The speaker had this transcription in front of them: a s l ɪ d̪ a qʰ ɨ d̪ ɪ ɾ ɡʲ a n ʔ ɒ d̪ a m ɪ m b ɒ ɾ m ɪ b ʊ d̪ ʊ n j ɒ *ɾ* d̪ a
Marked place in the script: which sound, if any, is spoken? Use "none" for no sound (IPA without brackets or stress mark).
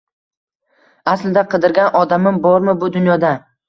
none